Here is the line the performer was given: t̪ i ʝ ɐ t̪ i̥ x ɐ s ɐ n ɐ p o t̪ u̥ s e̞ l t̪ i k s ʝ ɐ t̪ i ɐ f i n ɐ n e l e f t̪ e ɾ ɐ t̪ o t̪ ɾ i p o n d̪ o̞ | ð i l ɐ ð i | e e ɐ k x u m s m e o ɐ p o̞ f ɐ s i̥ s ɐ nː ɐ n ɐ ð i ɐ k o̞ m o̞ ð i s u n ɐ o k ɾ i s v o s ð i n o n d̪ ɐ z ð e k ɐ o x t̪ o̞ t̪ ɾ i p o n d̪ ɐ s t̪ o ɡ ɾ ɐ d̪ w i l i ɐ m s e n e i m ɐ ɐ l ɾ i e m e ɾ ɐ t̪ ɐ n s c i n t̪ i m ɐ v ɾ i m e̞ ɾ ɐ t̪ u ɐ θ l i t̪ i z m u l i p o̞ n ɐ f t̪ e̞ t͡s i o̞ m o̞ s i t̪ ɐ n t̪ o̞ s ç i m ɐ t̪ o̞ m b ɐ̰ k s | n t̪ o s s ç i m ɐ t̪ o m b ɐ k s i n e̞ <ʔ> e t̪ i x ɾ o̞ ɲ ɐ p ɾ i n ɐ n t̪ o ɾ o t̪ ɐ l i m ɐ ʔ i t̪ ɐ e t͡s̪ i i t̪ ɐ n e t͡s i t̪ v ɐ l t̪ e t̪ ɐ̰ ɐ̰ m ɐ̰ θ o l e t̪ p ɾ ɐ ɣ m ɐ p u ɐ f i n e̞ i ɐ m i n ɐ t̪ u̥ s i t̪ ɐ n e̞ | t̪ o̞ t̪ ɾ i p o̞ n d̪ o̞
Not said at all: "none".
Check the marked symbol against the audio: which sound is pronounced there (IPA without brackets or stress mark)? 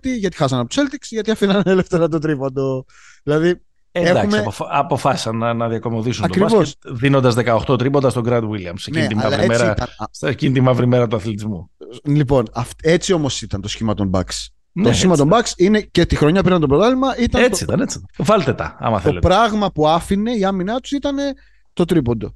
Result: c